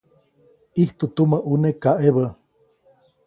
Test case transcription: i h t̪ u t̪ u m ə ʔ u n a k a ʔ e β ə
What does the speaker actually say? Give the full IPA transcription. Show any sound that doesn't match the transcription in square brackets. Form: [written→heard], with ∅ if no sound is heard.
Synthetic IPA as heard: i h t̪ u t̪ u m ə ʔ u n [a→e] k a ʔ e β ə